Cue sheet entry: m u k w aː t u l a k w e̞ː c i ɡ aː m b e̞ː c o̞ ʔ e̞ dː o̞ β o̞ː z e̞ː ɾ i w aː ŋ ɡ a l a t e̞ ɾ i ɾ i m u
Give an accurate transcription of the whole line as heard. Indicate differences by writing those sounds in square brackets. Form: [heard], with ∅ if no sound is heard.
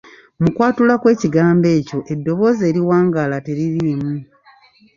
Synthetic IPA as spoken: m u k w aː t u l a k w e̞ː c i ɡ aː m b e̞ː c o̞ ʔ e̞ dː o̞ β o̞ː z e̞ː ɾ i w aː ŋ ɡ a l a t e̞ ɾ i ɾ i m u